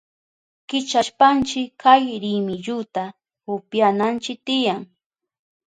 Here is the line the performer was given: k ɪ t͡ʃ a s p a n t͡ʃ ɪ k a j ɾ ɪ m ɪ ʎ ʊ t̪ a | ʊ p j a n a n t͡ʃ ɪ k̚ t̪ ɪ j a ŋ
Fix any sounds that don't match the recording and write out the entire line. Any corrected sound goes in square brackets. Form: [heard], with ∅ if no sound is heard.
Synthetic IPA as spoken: k ɪ t͡ʃ a [ʃ] p a n t͡ʃ ɪ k a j ɾ ɪ m ɪ ʎ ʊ t̪ a | ʊ p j a n a n t͡ʃ ɪ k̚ t̪ ɪ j a ŋ